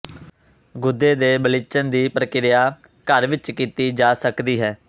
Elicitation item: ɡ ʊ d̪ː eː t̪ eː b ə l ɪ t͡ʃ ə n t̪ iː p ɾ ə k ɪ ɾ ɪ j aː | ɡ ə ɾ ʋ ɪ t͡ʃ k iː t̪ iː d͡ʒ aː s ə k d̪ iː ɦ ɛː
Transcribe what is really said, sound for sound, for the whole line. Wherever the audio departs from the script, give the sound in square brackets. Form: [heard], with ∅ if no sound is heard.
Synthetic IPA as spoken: ɡ ʊ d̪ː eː [d̪] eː b ə l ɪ t͡ʃ ə n [d̪] iː p ɾ ə k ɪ ɾ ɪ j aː | [k] ə ɾ ʋ ɪ t͡ʃ k iː t̪ iː d͡ʒ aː s ə k d̪ iː ɦ ɛː